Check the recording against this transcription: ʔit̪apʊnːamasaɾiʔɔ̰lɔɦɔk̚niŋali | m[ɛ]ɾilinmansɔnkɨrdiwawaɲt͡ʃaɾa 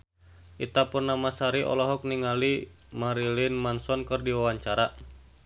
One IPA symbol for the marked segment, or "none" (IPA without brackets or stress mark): a